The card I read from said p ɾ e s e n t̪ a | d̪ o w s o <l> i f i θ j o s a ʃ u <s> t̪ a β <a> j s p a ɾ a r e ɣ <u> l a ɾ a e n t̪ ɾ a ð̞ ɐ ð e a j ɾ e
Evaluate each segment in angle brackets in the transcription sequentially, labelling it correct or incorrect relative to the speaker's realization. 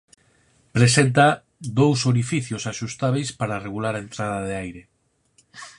incorrect: ɾ, correct, incorrect: e, correct

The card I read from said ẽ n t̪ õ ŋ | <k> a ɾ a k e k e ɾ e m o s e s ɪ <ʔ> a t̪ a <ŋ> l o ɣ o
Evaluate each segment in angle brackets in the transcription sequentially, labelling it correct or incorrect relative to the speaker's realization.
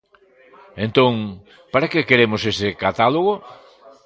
incorrect: p, incorrect: k, incorrect: none

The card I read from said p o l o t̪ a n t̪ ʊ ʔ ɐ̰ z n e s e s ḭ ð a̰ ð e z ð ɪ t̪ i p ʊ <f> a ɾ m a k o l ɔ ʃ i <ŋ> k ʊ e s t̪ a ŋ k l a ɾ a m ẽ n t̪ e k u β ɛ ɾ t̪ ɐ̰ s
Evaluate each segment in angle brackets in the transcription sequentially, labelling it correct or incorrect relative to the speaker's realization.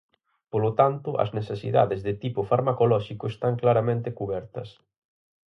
correct, incorrect: none

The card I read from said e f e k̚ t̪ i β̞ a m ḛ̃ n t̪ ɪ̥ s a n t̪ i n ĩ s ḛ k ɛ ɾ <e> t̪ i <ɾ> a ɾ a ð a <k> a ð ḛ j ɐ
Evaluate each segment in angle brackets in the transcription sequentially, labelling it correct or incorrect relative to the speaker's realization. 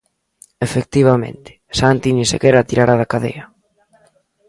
incorrect: a, correct, correct

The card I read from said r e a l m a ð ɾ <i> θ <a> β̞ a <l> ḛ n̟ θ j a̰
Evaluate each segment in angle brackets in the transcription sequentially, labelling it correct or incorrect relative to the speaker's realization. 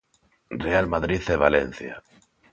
correct, incorrect: e, correct

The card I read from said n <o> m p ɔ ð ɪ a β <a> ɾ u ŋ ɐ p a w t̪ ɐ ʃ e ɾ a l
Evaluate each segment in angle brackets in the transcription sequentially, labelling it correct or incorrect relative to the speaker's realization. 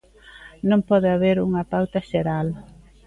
incorrect: õ, incorrect: e

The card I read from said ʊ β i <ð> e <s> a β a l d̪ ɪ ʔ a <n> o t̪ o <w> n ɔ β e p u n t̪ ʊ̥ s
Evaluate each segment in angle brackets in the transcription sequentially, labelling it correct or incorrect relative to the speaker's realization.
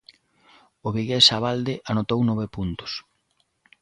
incorrect: ɣ, correct, correct, correct

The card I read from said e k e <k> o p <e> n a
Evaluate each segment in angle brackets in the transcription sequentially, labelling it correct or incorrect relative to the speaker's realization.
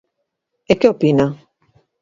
incorrect: none, incorrect: i

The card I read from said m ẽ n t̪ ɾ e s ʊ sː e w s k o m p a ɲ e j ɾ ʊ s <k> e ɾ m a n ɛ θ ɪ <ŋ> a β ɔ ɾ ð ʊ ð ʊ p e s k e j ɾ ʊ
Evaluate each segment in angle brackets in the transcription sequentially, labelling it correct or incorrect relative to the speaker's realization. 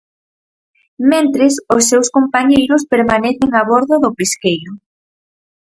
incorrect: p, correct

